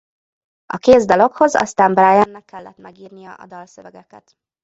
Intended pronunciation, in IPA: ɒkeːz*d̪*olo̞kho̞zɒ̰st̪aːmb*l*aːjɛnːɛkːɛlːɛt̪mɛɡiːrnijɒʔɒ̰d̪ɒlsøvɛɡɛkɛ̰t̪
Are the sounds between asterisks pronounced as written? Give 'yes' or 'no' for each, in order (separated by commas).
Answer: yes, no